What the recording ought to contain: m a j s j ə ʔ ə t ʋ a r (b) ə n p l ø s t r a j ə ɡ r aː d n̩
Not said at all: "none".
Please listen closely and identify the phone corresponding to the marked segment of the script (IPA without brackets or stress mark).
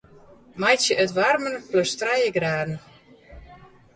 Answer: m